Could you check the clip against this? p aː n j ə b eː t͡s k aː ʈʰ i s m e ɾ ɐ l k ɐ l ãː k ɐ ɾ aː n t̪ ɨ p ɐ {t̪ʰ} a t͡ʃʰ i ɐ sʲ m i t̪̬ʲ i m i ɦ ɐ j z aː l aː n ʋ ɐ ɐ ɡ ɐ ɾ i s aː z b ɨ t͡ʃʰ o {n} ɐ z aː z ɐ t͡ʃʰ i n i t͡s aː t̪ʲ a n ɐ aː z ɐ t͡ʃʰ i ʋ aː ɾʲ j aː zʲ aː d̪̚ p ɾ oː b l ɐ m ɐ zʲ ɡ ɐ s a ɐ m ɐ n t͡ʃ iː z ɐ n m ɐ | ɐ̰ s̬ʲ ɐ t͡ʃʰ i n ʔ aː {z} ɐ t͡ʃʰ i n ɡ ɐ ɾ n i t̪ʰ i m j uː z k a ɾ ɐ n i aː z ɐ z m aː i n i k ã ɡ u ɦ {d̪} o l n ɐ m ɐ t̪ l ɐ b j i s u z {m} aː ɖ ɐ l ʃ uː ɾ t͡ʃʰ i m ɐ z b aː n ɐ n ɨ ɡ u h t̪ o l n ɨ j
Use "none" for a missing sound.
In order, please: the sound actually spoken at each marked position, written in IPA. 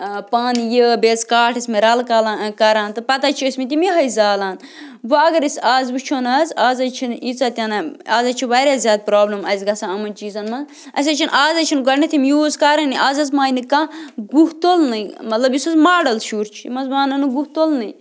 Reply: t̪, n, z, t̪, m

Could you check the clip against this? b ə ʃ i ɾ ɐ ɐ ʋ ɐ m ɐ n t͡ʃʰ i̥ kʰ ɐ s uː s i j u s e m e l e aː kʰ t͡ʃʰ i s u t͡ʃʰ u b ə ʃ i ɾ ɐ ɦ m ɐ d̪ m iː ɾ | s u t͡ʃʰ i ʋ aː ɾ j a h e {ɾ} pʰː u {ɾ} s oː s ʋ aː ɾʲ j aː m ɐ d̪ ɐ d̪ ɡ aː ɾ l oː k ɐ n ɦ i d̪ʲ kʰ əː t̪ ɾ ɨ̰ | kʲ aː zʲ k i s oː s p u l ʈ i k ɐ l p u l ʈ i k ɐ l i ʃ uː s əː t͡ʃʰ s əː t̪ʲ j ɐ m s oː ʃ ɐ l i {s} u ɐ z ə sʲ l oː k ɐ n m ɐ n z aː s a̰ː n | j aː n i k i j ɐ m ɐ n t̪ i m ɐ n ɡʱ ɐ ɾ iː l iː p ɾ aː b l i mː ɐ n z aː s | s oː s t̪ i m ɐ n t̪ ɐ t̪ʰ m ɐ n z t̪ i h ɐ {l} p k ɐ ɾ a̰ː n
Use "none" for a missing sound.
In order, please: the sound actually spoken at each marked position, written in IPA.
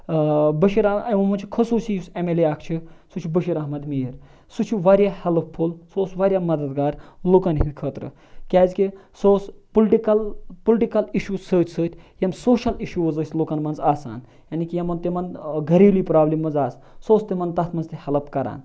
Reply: l, l, ʃ, l

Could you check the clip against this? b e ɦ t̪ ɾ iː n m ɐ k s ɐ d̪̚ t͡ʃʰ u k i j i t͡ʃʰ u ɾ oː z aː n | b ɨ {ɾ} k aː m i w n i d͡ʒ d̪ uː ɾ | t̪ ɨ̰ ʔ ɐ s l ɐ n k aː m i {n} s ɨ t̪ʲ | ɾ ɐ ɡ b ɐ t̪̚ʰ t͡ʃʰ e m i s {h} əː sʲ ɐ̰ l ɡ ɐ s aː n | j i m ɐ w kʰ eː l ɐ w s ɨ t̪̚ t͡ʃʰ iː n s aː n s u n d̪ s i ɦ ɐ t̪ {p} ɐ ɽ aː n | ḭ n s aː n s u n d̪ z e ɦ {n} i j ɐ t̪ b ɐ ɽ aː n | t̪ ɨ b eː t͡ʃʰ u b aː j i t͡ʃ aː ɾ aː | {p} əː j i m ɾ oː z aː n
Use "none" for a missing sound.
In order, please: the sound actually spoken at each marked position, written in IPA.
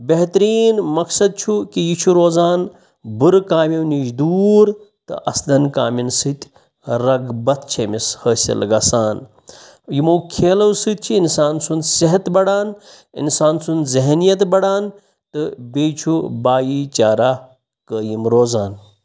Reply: ɾ, n, h, b, n, k

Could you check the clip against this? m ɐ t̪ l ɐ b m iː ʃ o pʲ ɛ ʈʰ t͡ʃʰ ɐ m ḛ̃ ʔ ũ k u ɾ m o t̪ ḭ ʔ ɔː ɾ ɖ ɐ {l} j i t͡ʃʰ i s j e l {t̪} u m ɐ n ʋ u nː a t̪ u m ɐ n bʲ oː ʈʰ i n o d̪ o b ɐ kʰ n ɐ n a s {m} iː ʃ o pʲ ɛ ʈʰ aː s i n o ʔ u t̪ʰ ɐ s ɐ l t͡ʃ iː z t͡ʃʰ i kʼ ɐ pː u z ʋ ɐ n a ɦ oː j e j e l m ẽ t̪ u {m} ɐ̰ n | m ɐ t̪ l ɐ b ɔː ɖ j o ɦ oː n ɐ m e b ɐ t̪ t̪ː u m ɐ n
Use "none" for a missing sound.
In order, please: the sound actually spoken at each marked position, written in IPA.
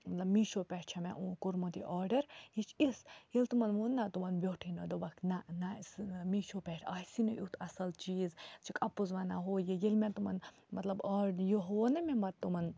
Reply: ɾ, t̪, m, m

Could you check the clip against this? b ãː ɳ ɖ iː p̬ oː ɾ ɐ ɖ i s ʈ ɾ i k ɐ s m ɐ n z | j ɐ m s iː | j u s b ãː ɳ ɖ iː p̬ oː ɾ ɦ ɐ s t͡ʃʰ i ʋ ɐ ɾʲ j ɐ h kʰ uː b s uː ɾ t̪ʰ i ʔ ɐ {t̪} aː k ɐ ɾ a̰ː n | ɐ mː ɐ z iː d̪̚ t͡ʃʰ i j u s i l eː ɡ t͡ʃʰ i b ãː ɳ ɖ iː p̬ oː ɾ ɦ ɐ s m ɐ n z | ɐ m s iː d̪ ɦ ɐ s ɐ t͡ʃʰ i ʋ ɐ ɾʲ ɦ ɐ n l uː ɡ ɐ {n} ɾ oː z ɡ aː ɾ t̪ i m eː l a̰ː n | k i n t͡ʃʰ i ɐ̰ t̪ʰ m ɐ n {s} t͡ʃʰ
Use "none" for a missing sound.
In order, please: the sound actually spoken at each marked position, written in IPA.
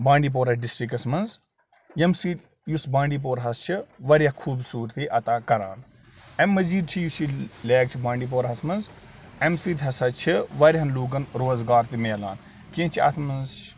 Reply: t̪, n, z

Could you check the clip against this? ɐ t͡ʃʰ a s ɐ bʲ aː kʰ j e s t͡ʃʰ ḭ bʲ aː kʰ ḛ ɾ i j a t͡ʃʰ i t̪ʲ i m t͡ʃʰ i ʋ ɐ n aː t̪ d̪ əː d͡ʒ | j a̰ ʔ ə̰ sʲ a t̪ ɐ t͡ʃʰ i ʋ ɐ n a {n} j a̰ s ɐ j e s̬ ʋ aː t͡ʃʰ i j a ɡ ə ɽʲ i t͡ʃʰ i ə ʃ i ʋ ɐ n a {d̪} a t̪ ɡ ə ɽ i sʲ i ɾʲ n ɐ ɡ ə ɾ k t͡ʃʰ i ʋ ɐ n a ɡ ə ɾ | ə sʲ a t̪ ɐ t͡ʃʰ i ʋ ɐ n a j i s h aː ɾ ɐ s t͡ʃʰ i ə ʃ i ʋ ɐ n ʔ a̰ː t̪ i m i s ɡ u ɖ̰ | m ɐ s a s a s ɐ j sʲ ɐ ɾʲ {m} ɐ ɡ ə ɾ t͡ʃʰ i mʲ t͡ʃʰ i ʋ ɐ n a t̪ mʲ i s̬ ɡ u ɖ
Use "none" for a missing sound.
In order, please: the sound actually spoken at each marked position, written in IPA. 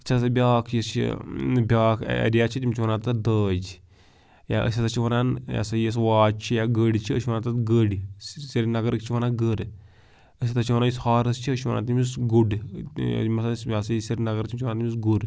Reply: n, t̪, n

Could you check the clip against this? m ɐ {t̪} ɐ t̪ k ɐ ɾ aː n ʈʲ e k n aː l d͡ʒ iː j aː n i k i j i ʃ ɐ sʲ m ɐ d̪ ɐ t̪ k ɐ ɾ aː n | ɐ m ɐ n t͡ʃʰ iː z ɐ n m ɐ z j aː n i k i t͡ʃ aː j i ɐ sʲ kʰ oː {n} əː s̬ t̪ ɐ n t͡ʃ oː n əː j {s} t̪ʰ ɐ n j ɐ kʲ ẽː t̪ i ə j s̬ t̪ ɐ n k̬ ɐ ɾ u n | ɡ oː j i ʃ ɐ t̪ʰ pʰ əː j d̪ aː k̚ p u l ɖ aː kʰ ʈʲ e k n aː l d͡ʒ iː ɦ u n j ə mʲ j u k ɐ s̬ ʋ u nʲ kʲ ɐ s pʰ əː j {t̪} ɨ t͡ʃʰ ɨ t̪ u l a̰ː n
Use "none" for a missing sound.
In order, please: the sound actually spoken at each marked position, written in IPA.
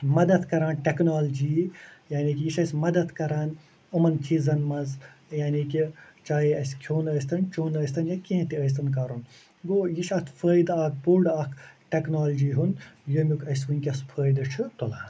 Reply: d̪, n, s, d̪

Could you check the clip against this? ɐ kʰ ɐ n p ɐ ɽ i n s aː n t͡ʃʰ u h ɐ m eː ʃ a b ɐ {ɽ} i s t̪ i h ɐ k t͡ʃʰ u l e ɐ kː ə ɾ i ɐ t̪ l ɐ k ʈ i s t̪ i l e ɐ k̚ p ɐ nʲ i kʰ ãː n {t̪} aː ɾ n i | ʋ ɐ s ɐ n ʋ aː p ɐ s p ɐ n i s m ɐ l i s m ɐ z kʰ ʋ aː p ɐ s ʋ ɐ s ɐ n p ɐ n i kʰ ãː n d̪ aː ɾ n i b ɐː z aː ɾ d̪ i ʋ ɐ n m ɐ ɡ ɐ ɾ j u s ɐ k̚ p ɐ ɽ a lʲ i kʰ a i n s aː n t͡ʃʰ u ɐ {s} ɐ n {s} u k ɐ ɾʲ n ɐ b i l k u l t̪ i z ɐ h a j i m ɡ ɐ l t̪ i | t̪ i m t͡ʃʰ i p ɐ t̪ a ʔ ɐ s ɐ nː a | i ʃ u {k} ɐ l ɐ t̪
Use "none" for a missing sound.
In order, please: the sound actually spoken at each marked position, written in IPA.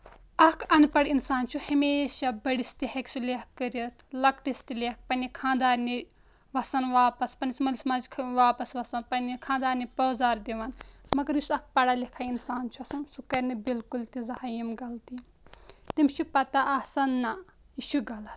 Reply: ɽ, d̪, s, s, ɡ

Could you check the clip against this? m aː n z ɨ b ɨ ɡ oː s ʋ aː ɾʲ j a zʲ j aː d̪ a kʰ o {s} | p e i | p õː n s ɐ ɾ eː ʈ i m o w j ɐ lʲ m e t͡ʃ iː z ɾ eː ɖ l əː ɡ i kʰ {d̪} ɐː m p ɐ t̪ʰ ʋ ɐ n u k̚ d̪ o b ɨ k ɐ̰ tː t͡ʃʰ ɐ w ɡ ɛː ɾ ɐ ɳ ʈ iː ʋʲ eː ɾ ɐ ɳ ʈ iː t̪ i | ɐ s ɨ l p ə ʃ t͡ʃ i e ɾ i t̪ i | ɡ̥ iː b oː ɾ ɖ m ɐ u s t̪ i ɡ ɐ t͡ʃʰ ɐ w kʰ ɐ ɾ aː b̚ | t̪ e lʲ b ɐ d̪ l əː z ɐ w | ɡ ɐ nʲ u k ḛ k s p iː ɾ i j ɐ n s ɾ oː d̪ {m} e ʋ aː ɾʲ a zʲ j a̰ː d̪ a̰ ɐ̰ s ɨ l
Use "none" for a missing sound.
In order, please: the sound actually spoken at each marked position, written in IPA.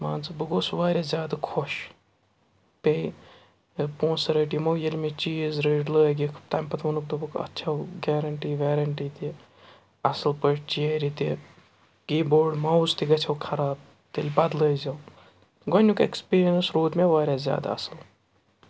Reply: ʃ, t̪, m

